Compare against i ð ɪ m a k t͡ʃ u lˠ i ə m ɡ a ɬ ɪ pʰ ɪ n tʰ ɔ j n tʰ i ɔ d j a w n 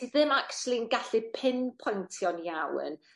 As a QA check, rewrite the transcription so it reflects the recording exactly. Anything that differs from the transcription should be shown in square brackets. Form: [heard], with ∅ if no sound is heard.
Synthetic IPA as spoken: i ð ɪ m a k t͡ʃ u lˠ i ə [n] ɡ a ɬ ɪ pʰ ɪ n [pʰ] ɔ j n tʰ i ɔ [n] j a w n